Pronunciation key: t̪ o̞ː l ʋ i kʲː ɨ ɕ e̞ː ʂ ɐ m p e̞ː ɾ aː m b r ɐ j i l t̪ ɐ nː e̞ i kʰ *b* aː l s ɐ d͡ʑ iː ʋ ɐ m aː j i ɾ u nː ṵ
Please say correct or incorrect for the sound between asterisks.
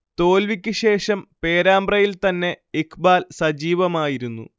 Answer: correct